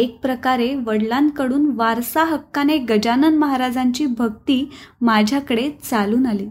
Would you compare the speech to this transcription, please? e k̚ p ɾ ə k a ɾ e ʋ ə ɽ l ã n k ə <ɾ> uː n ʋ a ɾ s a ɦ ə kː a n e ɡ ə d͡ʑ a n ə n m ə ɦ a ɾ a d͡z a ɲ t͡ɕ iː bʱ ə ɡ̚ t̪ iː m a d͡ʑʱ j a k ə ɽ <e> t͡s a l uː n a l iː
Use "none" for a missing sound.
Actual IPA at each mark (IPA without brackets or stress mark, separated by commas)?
ɽ, e